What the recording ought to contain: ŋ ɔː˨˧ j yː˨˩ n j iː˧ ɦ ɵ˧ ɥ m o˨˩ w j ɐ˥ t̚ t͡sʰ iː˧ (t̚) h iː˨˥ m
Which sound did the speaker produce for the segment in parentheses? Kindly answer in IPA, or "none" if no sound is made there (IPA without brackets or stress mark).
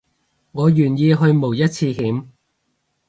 none